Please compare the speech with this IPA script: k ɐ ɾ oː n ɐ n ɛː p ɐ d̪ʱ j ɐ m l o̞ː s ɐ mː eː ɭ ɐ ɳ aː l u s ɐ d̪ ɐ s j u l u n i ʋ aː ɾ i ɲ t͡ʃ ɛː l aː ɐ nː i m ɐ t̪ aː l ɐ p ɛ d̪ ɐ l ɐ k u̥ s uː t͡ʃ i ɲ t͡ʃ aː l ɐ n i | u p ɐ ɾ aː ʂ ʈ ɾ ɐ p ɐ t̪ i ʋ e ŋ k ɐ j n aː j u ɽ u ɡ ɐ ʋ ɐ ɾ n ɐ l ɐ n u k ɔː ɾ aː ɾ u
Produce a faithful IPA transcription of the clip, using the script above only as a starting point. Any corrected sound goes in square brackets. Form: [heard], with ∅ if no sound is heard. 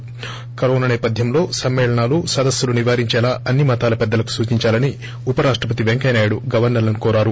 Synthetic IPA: k ɐ ɾ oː n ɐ n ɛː p ɐ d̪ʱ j ɐ m l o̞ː s ɐ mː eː ɭ ɐ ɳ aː l u s ɐ d̪ ɐ s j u l u n i ʋ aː ɾ i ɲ t͡ʃ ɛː l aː ɐ nː i m ɐ t̪ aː l ɐ p ɛ [d̪ː] ɐ l ɐ k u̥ s uː t͡ʃ i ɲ t͡ʃ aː l ɐ n i | u p ɐ ɾ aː ʂ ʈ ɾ ɐ p ɐ t̪ i ʋ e ŋ k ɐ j n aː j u ɽ u ɡ ɐ ʋ ɐ ɾ n ɐ l ɐ n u k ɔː ɾ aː ɾ u

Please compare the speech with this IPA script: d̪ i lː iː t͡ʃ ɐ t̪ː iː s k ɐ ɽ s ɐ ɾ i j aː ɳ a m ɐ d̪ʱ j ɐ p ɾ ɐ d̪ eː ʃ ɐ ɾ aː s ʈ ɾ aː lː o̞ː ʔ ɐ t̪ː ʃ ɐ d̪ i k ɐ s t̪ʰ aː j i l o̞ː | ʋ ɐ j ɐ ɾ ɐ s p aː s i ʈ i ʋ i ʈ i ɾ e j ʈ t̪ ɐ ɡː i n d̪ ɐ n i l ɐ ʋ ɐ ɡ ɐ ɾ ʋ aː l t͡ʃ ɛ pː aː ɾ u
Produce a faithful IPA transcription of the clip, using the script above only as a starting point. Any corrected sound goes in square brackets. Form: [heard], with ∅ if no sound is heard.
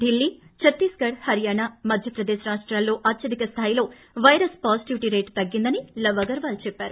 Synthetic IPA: d̪ i lː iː t͡ʃ ɐ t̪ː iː s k ɐ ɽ [h] ɐ ɾ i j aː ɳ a m ɐ d̪ʱ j ɐ p ɾ ɐ d̪ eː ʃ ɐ ɾ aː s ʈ ɾ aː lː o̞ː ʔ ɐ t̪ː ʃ ɐ d̪ i k ɐ s t̪ʰ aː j i l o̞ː | ʋ ɐ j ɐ ɾ ɐ s p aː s i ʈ i ʋ i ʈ i ɾ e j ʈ t̪ ɐ ɡː i n d̪ ɐ n i l ɐ ʋ ɐ ɡ ɐ ɾ ʋ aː l t͡ʃ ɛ pː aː ɾ u

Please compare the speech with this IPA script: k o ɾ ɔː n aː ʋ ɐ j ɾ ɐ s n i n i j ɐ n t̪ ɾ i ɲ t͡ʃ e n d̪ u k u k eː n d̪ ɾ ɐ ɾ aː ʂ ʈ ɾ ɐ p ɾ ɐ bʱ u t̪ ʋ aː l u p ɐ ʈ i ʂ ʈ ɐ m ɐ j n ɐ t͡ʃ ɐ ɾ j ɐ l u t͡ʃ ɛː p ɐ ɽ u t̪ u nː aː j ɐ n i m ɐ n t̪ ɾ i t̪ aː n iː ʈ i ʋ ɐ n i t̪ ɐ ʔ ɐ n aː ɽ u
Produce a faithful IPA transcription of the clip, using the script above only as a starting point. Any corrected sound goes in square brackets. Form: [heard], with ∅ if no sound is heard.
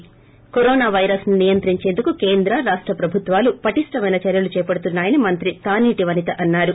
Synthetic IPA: k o ɾ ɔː n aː ʋ ɐ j ɾ ɐ s n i n i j ɐ n t̪ ɾ i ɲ t͡ʃ e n d̪ u k u k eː n d̪ ɾ ɐ ɾ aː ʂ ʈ ɾ ɐ p ɾ ɐ bʱ u t̪ ʋ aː l u p ɐ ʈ i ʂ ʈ ɐ m ɐ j n ɐ t͡ʃ ɐ ɾ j ɐ l u t͡ʃ ɛː p ɐ ɽ u t̪ u nː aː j ɐ n i m ɐ n t̪ ɾ i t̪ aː n iː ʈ i ʋ ɐ n i t̪ ɐ ʔ ɐ [nː] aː [ɾ] u

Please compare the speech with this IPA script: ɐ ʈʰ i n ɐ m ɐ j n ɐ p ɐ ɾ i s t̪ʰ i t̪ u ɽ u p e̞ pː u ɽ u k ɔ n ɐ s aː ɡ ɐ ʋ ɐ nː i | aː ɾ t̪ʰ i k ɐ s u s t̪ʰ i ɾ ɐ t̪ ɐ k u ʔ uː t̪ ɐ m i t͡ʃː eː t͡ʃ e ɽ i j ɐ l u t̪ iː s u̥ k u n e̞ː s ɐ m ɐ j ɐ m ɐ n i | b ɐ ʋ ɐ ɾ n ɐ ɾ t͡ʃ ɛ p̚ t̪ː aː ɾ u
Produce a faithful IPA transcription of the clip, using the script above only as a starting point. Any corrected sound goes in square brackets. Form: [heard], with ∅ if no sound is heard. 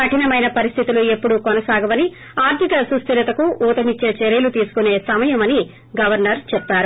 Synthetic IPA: ɐ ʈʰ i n ɐ m ɐ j n ɐ p ɐ ɾ i s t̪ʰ i t̪ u [l] u [∅] e̞ pː u ɽ u k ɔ n ɐ s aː ɡ ɐ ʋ ɐ [n] i | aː ɾ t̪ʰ i k ɐ s u s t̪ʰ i ɾ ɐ t̪ ɐ k u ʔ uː t̪ ɐ m i t͡ʃː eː t͡ʃ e [ɾ] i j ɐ l u t̪ iː s u̥ k u n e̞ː s ɐ m ɐ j ɐ m ɐ n i | [ɡ] ɐ ʋ ɐ ɾ n ɐ ɾ t͡ʃ ɛ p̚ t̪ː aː ɾ u

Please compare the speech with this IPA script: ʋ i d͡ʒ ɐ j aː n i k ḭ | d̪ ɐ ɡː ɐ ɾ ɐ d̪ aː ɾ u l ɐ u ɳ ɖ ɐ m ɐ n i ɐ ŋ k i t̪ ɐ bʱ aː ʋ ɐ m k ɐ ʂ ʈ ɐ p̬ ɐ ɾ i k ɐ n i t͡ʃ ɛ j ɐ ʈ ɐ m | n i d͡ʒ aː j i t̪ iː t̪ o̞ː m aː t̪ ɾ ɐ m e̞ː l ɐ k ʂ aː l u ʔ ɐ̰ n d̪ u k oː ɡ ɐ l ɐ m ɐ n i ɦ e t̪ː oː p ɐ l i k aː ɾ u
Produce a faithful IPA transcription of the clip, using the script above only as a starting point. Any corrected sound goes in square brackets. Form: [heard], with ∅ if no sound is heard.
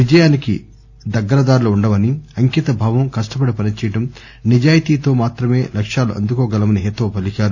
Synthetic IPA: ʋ i d͡ʒ ɐ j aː n i k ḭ | d̪ ɐ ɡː ɐ ɾ ɐ d̪ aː ɾ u l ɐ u ɳ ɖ ɐ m ɐ n i ɐ ŋ k i t̪ ɐ bʱ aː ʋ ɐ m k ɐ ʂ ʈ ɐ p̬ ɐ [ɽ] i [p] ɐ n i t͡ʃ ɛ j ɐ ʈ ɐ m | n i d͡ʒ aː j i t̪ iː t̪ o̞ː m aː t̪ ɾ ɐ m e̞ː l ɐ k ʂ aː l u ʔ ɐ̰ n d̪ u k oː ɡ ɐ l ɐ m ɐ n i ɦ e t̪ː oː p ɐ l i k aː ɾ u

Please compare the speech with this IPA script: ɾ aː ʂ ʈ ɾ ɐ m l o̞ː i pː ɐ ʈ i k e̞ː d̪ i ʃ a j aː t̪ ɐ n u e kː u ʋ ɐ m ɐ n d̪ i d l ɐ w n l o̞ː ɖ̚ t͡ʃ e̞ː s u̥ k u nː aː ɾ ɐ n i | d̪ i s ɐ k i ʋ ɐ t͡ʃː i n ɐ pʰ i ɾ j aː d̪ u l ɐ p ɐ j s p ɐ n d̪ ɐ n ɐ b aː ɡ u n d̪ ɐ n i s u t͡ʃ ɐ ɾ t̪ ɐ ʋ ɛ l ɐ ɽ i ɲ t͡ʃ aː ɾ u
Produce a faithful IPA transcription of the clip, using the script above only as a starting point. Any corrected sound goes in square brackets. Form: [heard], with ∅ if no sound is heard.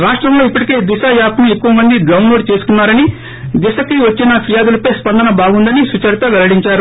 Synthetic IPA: ɾ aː ʂ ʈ ɾ ɐ m l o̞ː i pː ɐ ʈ i k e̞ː d̪ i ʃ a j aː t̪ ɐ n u e kː u ʋ ɐ m ɐ n d̪ i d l ɐ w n l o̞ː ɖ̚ t͡ʃ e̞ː s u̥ k u nː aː ɾ ɐ n i | d̪ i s ɐ k i ʋ ɐ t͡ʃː i n ɐ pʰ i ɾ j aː d̪ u l ɐ p ɐ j s p ɐ n d̪ ɐ n ɐ b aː ɡ u n d̪ ɐ n i s u t͡ʃ ɐ ɾ t̪ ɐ ʋ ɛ l ɐ ɽ i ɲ t͡ʃ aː ɾ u

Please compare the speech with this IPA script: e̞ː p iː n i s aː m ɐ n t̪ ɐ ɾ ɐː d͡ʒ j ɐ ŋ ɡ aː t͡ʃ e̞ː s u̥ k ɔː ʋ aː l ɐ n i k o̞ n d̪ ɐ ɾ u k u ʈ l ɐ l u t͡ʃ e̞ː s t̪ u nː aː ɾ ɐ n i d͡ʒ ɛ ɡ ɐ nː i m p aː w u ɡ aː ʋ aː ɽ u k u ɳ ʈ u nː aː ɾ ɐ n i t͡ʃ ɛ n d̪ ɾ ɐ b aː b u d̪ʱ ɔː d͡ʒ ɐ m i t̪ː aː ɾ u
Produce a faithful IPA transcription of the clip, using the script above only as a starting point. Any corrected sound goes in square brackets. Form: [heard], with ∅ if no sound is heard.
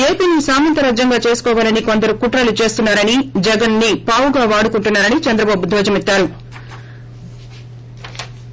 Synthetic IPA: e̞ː p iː n i s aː m ɐ n t̪ ɐ ɾ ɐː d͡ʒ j ɐ ŋ ɡ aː t͡ʃ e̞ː s u̥ k ɔː ʋ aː l ɐ n i k o̞ n d̪ ɐ ɾ u k u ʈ [ɾ] ɐ l u t͡ʃ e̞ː s t̪ u nː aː ɾ ɐ n i d͡ʒ ɛ ɡ ɐ nː i [∅] p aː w u ɡ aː ʋ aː ɽ u k u ɳ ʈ u nː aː ɾ ɐ n i t͡ʃ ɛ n d̪ ɾ ɐ b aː b u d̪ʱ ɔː d͡ʒ ɐ m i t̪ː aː ɾ u

